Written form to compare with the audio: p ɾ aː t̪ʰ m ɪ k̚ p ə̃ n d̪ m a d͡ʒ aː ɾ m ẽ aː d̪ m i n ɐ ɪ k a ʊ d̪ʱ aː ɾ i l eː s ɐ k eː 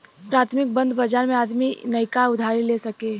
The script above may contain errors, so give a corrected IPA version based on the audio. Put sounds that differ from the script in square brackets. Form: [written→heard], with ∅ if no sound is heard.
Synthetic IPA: p ɾ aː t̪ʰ m ɪ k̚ [p→b] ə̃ n d̪ [m→b] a d͡ʒ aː ɾ m ẽ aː d̪ m i n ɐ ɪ k a ʊ d̪ʱ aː ɾ i l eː s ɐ k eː

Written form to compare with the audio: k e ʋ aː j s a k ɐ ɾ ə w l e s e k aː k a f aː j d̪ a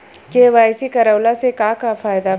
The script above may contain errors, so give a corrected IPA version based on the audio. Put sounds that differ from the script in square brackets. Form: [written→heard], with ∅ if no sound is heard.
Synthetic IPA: k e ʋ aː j s [a→i] k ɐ ɾ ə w l [e→a] s e k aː k a f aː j d̪ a

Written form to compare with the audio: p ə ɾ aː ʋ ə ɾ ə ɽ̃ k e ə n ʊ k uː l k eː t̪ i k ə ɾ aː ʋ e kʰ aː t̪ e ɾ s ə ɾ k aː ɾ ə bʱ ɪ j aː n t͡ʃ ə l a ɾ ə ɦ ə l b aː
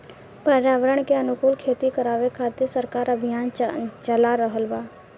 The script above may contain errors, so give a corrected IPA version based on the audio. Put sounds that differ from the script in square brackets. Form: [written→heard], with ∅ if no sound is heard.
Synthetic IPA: p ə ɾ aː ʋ ə ɾ ə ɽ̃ k e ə n ʊ k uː l [k→kʰ] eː t̪ i k ə ɾ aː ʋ e kʰ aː t̪ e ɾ s ə ɾ k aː ɾ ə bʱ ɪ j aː n t͡ʃ ə l a ɾ ə ɦ ə l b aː

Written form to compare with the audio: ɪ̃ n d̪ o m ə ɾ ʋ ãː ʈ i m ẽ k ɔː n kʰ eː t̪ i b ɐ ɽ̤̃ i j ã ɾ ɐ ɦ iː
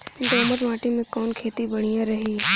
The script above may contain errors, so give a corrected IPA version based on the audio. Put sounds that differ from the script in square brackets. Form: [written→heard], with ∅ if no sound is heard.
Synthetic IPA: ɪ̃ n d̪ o m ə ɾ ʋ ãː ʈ i m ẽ k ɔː n kʰ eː t̪ i b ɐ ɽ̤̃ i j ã ɾ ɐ ɦ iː

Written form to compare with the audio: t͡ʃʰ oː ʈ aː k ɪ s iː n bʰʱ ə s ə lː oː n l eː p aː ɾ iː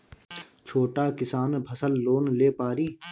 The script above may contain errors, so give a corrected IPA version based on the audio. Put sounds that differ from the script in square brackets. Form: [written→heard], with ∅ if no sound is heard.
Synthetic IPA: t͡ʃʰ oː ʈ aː k ɪ s [iː→aː] n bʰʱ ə s ə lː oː n l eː p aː ɾ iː

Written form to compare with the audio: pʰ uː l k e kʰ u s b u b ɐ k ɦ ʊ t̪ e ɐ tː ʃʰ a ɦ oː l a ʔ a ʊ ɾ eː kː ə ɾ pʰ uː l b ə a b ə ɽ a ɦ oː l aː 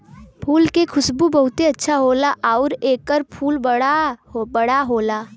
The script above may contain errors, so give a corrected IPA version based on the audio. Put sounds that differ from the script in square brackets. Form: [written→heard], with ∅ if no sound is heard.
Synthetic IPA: pʰ uː l k e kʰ [u→ʊ] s b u b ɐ [k→∅] ɦ ʊ t̪ e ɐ tː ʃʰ a ɦ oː l a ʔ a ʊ ɾ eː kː ə ɾ pʰ uː l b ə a b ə ɽ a ɦ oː l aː

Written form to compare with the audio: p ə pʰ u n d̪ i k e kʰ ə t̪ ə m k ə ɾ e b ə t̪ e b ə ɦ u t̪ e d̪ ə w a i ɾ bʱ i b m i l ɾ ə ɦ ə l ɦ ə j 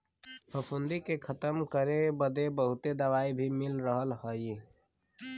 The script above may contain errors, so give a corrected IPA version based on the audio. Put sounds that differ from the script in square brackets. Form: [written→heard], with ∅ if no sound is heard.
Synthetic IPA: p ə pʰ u n d̪ i k e kʰ ə t̪ ə m k ə ɾ e b ə [t̪→d̪] e b ə ɦ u t̪ e d̪ ə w a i [ɾ→∅] bʱ i [b→∅] m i l ɾ ə ɦ ə l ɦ ə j

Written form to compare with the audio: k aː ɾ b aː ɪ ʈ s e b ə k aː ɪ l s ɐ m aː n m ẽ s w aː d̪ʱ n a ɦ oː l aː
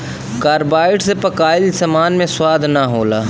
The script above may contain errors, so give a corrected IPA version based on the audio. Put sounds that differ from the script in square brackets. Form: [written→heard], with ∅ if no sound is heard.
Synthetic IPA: k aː ɾ b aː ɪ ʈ s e [b→p] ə k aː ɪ l s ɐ m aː n m ẽ s w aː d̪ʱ n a ɦ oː l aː

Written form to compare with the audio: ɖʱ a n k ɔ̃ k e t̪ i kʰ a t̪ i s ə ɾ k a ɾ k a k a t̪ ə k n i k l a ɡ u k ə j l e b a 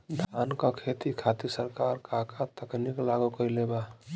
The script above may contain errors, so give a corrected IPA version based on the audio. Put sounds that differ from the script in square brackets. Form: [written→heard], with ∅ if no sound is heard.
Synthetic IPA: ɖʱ a n k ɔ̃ [k→kʰ] e t̪ i kʰ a t̪ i s ə ɾ k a ɾ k a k a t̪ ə k n i k l a ɡ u k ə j l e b a

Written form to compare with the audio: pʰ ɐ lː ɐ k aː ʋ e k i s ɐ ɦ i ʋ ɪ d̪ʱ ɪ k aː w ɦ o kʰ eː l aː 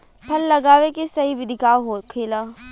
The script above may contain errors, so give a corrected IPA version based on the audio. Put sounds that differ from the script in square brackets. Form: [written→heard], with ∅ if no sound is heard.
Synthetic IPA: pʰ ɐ lː ɐ [k→ɡ] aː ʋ e k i s ɐ ɦ i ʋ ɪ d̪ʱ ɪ k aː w ɦ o kʰ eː l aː

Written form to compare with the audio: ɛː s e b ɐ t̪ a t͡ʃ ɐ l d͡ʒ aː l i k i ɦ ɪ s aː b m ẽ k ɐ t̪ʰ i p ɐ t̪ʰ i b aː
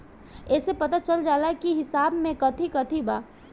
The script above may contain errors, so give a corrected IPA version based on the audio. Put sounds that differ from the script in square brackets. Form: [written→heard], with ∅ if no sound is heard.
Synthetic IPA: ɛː s e [b→p] ɐ t̪ a t͡ʃ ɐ l d͡ʒ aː l [i→a] k i ɦ ɪ s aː b m ẽ k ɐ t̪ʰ i [p→k] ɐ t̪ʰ i b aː

